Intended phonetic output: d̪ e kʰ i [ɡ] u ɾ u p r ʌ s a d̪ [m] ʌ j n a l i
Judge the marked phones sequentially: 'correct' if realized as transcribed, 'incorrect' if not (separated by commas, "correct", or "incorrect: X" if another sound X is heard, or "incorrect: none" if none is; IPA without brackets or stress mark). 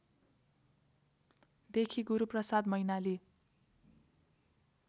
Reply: correct, correct